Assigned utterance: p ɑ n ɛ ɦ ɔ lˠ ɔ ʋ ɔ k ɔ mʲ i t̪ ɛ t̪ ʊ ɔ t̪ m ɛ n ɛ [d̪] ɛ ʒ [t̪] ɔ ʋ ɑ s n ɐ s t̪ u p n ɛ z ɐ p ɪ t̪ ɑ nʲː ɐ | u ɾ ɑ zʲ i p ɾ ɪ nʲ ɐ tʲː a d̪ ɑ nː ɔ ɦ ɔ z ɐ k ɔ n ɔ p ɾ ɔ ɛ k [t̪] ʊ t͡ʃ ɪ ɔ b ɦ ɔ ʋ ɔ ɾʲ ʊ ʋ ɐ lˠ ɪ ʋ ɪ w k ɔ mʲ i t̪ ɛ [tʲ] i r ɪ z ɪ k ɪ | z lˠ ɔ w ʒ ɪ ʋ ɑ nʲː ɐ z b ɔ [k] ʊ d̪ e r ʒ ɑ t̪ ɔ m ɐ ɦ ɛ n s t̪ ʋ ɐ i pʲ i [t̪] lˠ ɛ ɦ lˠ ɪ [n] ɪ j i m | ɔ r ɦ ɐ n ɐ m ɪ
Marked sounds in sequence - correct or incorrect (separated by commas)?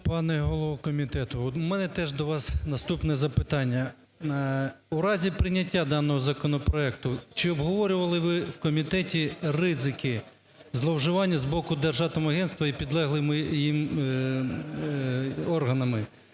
incorrect, incorrect, correct, correct, correct, incorrect, incorrect